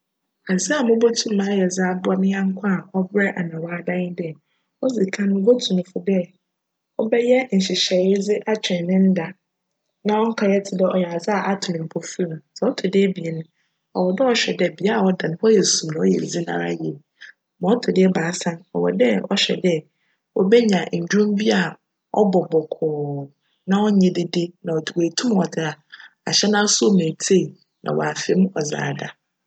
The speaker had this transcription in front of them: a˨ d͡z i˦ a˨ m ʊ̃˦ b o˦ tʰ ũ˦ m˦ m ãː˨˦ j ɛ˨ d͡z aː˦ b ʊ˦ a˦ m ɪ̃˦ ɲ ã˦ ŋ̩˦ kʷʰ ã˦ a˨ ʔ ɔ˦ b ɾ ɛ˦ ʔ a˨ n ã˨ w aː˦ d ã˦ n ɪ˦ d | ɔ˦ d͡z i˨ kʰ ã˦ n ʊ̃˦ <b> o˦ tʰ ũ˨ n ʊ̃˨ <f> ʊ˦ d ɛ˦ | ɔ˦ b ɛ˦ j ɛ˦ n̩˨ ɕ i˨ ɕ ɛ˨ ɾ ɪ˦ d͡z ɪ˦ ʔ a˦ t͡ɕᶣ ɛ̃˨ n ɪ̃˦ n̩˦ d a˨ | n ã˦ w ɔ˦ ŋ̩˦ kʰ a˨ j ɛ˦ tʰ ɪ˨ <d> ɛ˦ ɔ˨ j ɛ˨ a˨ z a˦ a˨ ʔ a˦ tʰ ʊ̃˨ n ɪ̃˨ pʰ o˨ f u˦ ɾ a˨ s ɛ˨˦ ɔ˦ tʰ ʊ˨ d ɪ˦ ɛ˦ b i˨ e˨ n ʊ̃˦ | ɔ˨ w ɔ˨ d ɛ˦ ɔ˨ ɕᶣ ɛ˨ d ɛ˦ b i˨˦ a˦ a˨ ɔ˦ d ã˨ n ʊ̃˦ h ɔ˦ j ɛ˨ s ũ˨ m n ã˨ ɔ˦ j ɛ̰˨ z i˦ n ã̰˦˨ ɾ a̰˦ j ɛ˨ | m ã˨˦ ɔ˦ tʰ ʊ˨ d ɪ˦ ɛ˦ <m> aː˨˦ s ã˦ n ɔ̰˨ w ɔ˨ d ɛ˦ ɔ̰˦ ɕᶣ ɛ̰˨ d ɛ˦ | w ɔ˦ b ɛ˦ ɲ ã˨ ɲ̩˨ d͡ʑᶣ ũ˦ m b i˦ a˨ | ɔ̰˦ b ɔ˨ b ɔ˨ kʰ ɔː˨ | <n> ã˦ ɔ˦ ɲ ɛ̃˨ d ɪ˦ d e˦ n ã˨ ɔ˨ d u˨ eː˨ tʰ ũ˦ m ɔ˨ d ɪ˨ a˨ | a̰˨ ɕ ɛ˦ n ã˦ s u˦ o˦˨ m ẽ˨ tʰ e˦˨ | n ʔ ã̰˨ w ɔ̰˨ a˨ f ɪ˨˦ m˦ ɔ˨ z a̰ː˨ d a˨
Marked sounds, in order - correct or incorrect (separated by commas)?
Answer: correct, correct, correct, incorrect, correct